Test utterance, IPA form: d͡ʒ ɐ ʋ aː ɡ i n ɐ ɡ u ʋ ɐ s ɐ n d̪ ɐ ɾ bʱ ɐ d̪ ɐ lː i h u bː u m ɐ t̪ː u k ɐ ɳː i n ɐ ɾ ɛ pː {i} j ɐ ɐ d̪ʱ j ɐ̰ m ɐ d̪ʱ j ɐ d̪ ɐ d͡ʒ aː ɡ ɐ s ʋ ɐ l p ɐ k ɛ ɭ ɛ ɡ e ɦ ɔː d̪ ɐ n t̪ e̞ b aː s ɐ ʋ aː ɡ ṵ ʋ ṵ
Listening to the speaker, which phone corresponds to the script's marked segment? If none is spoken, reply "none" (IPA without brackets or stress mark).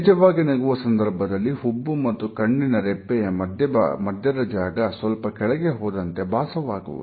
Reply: ɛ